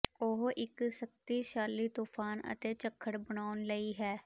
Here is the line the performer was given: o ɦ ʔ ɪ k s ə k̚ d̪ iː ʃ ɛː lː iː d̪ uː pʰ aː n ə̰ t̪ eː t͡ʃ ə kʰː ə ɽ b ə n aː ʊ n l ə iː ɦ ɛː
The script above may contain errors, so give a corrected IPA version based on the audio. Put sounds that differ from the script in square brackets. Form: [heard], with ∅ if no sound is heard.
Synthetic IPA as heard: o ɦ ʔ ɪ k s ə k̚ [t̪] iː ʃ [aː] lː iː [t̪] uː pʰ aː n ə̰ t̪ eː t͡ʃ ə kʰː ə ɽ b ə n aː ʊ n l ə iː ɦ ɛː